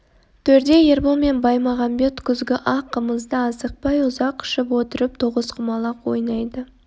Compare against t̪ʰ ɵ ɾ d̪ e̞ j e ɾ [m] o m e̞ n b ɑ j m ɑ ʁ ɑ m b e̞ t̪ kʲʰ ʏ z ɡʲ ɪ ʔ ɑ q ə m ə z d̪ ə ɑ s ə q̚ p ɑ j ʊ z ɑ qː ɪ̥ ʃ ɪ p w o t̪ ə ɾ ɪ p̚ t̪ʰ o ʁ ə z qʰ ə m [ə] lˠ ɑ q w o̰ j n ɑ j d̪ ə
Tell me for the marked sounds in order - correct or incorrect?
incorrect, incorrect

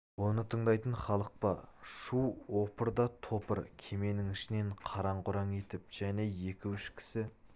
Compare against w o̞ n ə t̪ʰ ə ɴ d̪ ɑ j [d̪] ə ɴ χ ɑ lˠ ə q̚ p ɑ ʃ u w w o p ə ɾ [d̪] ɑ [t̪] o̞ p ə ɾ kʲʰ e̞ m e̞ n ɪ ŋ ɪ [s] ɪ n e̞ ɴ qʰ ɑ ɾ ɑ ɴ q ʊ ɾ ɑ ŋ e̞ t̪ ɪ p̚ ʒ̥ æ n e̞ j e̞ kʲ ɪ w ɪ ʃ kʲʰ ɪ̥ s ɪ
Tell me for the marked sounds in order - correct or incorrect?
incorrect, correct, incorrect, incorrect

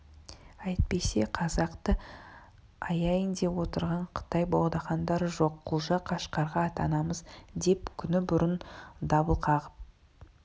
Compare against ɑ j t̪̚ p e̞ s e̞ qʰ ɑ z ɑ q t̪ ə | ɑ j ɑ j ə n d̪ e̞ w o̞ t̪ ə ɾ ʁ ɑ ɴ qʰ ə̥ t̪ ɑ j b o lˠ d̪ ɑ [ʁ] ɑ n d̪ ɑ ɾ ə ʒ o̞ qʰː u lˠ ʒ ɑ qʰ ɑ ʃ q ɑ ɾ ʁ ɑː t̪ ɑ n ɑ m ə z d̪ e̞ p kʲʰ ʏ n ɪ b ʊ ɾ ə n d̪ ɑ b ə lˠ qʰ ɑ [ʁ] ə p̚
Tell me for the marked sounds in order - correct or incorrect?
incorrect, correct

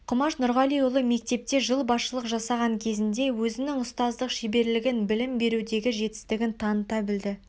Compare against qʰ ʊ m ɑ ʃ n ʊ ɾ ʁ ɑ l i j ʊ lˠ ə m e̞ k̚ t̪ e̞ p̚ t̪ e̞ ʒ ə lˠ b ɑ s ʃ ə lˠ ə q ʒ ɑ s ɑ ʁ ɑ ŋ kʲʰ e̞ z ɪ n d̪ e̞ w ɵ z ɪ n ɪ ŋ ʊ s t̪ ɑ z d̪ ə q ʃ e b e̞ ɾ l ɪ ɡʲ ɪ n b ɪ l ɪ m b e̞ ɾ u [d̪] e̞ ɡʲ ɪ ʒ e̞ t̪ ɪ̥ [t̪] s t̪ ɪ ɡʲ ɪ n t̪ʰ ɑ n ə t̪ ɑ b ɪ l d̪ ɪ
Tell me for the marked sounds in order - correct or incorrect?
correct, incorrect

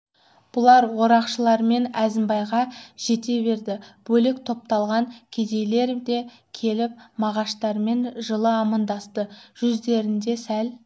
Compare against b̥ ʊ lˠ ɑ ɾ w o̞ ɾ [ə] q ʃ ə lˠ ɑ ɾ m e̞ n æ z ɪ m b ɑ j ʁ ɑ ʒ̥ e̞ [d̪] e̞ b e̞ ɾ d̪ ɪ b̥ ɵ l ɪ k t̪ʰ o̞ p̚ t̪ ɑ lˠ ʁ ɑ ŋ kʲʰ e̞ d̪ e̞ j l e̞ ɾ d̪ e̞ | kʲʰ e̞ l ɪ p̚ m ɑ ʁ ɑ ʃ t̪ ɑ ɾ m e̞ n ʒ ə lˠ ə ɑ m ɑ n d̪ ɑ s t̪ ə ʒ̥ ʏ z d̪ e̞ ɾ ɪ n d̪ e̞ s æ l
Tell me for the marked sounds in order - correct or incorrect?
incorrect, incorrect

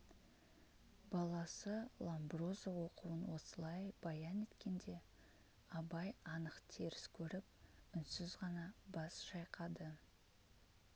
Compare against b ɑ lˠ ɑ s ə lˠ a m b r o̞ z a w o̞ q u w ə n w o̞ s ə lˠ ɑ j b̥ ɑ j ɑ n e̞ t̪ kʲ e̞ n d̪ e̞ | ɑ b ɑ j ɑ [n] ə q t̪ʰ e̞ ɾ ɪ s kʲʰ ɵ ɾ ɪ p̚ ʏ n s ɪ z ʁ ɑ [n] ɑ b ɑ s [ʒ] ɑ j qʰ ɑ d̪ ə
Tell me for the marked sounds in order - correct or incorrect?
correct, correct, incorrect

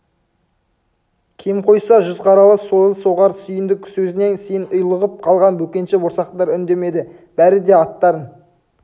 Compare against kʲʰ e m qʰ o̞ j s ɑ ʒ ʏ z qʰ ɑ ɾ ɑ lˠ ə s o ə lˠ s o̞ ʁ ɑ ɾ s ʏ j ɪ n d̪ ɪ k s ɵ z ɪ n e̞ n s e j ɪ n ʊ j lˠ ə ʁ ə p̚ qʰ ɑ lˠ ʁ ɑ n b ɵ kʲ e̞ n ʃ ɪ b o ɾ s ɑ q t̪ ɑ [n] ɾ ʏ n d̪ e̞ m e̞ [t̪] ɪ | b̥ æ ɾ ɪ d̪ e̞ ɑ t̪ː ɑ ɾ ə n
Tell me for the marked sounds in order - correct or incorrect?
incorrect, incorrect

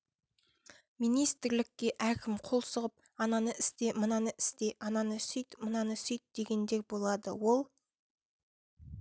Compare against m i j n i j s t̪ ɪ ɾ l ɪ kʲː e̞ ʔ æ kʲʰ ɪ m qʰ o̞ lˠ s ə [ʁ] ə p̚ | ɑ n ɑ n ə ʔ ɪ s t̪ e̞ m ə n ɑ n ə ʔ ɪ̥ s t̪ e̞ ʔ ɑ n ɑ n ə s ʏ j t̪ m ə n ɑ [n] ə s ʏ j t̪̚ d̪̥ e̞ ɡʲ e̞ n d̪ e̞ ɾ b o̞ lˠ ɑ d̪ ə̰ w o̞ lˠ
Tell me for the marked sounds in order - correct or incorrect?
correct, correct

